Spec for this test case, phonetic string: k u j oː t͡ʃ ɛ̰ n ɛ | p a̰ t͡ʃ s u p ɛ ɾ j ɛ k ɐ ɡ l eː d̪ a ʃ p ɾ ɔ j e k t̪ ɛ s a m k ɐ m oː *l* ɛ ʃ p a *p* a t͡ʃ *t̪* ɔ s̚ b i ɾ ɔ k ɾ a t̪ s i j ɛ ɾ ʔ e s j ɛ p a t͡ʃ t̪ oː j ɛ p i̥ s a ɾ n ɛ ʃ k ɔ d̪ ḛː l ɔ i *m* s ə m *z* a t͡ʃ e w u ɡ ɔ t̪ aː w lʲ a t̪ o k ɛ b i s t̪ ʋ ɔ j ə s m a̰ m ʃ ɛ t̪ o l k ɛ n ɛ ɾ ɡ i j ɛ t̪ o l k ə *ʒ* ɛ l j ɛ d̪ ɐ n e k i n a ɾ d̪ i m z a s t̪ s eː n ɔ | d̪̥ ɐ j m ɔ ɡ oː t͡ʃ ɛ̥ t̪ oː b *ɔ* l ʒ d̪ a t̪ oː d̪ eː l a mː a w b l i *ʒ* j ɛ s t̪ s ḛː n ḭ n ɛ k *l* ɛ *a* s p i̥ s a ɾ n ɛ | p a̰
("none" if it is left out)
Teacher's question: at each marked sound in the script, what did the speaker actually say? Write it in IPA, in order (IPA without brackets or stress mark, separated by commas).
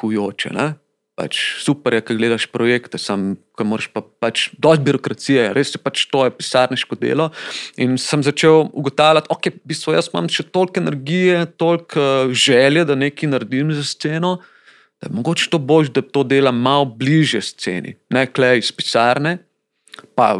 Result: ɾ, p, d̪, n, z, ʒ, o, ʒ, l, i